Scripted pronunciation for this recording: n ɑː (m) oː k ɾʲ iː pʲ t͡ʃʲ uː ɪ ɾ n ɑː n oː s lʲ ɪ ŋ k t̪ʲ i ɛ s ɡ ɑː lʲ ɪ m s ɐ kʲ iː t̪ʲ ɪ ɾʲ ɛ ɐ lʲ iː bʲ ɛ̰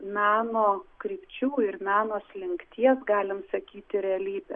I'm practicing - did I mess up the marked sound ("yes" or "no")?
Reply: yes